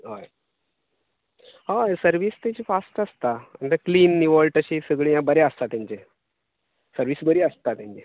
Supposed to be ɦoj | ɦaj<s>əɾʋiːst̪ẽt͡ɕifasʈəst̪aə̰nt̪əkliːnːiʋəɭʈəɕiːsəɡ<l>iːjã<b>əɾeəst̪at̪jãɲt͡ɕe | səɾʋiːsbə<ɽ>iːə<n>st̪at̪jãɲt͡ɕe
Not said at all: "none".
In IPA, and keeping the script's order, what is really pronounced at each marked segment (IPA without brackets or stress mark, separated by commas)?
s, ɭ, b, ɾ, none